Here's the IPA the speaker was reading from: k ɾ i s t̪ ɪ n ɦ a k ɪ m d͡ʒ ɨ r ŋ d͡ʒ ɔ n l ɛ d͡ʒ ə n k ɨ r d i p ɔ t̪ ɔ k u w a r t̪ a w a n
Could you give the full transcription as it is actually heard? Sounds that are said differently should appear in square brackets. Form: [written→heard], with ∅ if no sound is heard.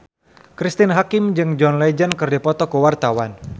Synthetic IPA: k ɾ i s t̪ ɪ n ɦ a k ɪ m d͡ʒ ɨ [r→∅] ŋ d͡ʒ ɔ n l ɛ d͡ʒ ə n k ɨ r d i p ɔ t̪ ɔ k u w a r t̪ a w a n